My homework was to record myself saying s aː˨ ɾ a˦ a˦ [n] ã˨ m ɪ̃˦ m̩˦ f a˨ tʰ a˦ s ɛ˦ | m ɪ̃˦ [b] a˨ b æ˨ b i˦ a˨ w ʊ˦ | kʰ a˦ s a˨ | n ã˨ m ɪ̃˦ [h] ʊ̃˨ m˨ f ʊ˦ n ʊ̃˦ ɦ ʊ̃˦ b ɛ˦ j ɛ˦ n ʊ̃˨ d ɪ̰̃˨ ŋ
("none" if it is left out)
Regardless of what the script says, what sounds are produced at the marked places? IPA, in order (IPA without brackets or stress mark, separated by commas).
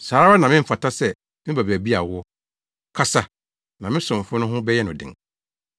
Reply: n, b, s